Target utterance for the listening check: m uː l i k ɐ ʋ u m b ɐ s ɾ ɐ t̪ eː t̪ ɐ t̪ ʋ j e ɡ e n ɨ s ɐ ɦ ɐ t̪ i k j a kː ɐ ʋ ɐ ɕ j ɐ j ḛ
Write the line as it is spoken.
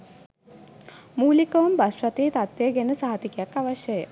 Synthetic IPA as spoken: m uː l i k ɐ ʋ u m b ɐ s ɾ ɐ t̪ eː t̪ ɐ t̪ ʋ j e ɡ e n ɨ s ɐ ɦ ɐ t̪ i k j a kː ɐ ʋ ɐ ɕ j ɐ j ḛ